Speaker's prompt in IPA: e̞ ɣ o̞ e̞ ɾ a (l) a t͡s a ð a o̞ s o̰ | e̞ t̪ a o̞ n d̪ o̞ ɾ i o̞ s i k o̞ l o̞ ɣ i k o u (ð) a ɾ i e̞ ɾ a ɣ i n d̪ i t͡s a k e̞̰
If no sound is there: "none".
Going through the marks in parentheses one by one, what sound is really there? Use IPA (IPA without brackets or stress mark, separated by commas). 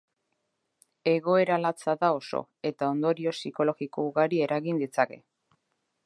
l, ɣ